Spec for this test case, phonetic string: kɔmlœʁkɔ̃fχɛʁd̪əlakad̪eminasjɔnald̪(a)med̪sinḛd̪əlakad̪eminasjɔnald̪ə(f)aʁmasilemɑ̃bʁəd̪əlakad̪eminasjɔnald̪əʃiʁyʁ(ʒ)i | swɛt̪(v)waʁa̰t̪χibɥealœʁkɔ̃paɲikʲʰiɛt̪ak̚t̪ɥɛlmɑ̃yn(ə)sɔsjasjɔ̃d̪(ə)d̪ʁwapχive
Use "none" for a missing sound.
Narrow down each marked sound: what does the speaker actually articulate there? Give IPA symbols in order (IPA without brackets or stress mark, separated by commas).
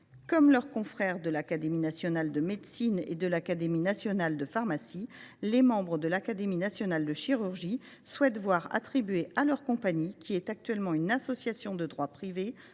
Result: ə, f, ʒ, v, a, ə